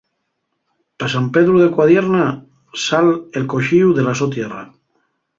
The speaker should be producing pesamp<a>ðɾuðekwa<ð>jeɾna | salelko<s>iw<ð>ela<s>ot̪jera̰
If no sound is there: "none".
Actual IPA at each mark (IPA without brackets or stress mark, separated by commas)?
e, ð, ʃ, ð, s